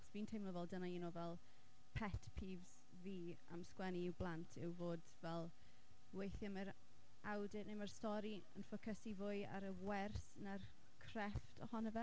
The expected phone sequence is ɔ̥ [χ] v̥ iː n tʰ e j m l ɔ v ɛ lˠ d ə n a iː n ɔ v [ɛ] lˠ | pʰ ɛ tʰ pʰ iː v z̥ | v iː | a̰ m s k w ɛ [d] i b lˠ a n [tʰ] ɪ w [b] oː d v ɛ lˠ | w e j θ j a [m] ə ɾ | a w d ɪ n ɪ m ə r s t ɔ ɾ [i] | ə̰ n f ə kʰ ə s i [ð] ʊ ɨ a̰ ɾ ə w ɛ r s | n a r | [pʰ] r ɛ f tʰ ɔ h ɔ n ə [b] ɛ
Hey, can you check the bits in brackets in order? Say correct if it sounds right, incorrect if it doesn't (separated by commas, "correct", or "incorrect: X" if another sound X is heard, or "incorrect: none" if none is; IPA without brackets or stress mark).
incorrect: s, correct, incorrect: n, correct, incorrect: v, correct, correct, incorrect: v, incorrect: kʰ, incorrect: v